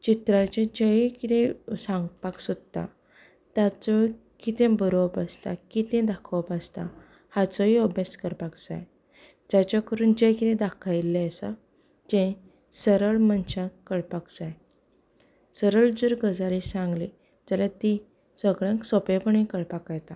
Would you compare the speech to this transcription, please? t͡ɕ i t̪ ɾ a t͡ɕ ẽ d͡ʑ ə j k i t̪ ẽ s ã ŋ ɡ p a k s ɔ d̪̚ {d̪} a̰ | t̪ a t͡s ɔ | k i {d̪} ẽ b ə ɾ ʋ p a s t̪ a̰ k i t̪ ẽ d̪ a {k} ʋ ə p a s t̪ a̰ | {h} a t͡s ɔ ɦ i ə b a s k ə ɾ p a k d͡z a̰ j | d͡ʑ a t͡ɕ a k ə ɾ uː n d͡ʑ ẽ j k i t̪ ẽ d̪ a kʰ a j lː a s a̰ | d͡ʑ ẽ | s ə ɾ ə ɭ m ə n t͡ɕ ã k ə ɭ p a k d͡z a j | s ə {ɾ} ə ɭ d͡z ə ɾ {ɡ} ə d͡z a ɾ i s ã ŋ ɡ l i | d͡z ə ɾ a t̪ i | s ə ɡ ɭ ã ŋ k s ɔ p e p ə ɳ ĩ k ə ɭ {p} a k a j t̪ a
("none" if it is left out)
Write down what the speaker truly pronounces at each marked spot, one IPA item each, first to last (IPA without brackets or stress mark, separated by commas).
t̪, t̪, kʰ, h, ɾ, ɡ, p